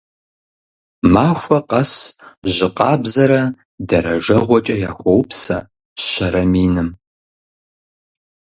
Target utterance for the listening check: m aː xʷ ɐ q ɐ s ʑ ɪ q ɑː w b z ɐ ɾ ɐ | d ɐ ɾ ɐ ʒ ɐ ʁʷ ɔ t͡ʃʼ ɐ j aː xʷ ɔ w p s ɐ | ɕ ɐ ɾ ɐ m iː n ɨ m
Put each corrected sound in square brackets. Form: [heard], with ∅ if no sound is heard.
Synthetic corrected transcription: m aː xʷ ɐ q ɐ s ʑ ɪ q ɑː [∅] b z ɐ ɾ ɐ | d ɐ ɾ ɐ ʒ ɐ ʁʷ ɔ t͡ʃʼ ɐ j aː xʷ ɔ w p s ɐ | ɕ ɐ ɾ ɐ m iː n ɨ m